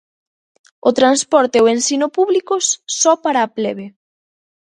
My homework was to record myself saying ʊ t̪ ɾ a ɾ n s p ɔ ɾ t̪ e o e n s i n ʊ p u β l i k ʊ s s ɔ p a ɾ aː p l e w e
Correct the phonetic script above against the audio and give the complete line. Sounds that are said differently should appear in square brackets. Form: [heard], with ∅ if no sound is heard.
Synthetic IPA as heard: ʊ t̪ ɾ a [∅] n s p ɔ ɾ t̪ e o e n s i n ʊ p u β l i k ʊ s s ɔ p a ɾ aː p l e [β] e